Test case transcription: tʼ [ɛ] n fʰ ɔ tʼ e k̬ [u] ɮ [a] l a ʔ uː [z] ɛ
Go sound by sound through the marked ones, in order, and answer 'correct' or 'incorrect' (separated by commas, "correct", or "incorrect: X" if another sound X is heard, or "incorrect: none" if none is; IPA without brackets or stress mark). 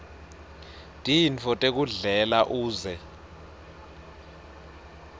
incorrect: i, correct, incorrect: ɛ, correct